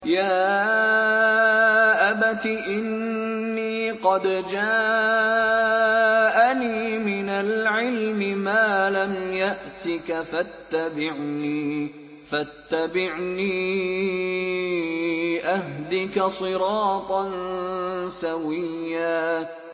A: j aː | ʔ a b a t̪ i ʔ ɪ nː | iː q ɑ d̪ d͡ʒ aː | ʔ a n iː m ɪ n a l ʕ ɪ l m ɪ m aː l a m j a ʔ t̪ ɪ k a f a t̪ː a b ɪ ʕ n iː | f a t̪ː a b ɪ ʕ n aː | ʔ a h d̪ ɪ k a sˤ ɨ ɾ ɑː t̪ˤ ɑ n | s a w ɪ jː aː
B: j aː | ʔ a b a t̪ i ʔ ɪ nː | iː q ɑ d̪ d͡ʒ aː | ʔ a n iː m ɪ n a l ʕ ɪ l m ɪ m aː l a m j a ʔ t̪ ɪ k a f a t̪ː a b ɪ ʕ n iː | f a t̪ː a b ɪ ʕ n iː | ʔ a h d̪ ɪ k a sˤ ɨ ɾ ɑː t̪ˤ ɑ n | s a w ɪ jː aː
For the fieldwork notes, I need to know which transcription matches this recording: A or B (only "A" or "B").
B